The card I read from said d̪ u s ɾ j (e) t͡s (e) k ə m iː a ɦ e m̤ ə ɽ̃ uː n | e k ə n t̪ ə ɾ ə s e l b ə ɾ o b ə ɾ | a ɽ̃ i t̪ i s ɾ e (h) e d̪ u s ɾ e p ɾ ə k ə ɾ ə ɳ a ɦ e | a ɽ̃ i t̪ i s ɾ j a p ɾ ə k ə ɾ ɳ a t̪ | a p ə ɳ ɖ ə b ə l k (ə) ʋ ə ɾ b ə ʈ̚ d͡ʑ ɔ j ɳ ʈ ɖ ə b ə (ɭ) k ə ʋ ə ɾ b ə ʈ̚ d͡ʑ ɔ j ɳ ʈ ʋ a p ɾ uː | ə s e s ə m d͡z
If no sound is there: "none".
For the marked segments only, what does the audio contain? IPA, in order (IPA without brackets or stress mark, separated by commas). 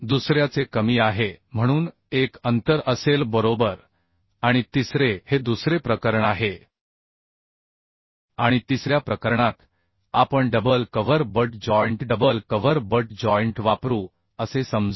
a, e, h, ə, l